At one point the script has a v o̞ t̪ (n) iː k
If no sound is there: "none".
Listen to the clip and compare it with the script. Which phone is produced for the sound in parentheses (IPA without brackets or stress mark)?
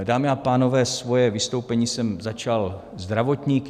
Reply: ɲ